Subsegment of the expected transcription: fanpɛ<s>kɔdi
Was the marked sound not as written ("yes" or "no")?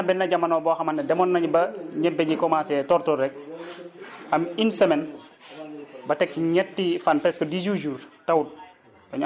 no